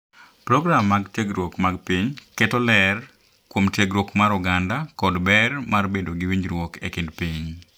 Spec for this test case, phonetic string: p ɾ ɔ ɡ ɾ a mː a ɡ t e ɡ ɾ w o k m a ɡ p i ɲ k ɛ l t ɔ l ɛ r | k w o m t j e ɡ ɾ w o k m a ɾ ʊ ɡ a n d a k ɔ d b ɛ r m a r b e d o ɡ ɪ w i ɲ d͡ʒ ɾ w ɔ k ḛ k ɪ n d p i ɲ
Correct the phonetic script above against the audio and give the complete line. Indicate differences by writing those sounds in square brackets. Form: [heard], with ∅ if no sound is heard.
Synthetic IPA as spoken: p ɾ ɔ ɡ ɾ a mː a ɡ t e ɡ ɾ w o k m a ɡ p i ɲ k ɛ [∅] t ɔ l ɛ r | k w o m t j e ɡ ɾ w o k m a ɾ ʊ ɡ a n d a k ɔ d b ɛ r m a r b e d o ɡ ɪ w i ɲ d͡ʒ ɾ w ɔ k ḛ k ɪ n d p i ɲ